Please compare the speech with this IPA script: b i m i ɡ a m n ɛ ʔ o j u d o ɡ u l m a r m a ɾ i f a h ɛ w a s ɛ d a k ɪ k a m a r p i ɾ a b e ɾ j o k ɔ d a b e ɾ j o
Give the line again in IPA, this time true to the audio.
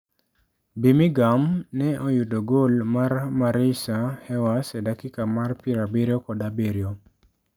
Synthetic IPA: b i m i ɡ a m n ɛ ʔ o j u d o ɡ o l m a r m a ɾ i s a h ɛ w a s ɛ d a k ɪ k a m a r p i ɾ a b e ɾ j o k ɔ d a b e ɾ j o